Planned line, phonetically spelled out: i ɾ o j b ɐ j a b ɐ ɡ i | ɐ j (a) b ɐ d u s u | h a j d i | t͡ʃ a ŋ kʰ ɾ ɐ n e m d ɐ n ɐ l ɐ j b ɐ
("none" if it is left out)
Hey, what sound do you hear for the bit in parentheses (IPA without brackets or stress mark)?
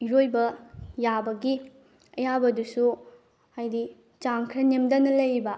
a